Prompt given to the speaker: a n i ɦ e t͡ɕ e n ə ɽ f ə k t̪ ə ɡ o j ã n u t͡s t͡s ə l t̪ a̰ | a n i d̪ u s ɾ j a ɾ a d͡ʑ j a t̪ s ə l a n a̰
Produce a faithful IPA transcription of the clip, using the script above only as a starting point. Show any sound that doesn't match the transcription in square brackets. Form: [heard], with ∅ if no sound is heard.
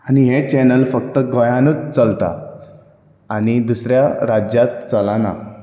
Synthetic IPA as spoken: a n i ɦ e t͡ɕ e n ə [l] f ə k t̪ ə ɡ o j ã n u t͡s t͡s ə l t̪ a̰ | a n i d̪ u s ɾ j a ɾ a d͡ʑ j a t̪ [t͡s] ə l a n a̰